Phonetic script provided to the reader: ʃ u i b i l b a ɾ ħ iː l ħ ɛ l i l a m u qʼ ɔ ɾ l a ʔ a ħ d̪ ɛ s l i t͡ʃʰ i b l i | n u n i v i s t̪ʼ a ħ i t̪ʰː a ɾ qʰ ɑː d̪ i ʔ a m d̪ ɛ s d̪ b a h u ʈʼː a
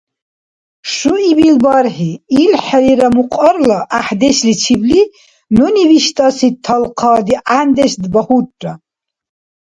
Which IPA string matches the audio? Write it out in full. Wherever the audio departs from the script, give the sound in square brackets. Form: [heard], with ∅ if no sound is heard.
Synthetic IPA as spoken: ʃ u i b i l b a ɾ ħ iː l ħ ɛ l i [ɾ] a m u qʼ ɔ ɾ l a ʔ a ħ d̪ ɛ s l i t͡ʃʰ i b l i | n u n i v i [ʃ] t̪ʼ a [s] i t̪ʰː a [l] qʰ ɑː d̪ i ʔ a [n] d̪ ɛ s d̪ b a h u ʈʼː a